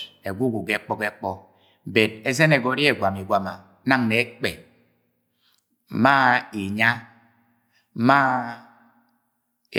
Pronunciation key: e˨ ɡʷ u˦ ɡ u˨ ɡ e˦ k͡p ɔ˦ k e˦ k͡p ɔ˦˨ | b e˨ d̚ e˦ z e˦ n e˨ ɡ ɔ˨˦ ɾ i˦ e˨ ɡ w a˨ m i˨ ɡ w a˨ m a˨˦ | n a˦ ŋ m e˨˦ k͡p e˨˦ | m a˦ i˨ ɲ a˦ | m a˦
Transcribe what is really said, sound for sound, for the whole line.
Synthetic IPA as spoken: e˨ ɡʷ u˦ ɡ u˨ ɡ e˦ k͡p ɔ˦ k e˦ k͡p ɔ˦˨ | b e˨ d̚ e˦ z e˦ n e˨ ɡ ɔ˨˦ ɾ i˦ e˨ ɡ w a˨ m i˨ ɡ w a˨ m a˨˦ | n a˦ ŋ n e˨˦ k͡p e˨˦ | m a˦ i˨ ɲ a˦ | m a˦